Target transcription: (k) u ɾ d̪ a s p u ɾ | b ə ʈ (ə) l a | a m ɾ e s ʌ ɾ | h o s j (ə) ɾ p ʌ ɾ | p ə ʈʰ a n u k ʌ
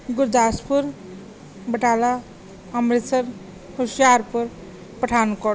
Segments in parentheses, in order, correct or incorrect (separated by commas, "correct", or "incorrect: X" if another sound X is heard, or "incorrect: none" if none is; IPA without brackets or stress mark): incorrect: ɡ, incorrect: a, incorrect: a